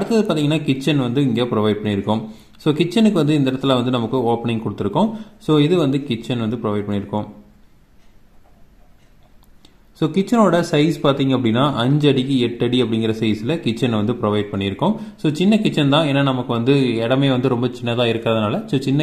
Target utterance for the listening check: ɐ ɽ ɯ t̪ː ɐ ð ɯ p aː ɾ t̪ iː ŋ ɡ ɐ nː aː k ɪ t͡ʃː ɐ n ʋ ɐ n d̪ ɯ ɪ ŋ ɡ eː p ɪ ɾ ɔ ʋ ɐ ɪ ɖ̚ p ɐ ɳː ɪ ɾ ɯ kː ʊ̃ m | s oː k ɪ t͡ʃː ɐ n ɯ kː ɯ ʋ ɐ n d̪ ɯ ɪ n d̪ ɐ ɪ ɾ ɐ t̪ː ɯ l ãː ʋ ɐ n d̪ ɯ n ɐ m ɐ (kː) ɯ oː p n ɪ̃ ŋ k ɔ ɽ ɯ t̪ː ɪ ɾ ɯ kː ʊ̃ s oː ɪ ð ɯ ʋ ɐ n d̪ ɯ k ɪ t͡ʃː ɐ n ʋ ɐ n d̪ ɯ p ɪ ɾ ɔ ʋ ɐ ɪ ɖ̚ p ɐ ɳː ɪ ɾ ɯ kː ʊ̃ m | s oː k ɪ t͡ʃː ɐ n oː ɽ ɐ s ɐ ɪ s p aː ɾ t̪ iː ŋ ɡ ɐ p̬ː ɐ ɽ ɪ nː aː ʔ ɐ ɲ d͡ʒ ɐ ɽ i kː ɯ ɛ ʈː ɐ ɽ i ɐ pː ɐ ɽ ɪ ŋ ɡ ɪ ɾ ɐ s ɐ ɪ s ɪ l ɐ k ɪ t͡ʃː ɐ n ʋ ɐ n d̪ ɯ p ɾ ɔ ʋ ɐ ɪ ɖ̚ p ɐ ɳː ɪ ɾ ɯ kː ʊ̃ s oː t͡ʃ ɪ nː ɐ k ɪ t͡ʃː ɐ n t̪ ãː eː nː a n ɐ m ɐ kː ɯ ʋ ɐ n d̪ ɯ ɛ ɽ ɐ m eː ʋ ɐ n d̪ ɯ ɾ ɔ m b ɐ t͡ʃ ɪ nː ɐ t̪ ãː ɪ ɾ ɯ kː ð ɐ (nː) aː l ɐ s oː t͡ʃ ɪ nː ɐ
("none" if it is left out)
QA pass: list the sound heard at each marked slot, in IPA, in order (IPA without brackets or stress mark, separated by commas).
kː, n